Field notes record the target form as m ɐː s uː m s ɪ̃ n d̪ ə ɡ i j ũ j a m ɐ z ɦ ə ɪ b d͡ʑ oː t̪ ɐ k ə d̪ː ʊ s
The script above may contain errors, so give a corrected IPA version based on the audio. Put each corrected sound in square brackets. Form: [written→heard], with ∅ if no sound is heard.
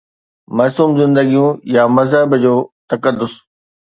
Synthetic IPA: m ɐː s uː m [s→z] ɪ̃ n d̪ ə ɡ i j ũ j a m ɐ z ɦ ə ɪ b d͡ʑ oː t̪ ɐ k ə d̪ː ʊ s